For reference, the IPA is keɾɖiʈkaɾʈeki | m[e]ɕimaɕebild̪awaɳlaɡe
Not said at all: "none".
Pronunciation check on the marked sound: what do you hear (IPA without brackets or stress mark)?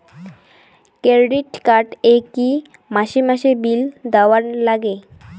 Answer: a